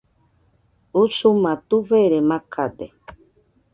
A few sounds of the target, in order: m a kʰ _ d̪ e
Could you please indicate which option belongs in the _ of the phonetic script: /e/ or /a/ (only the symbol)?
a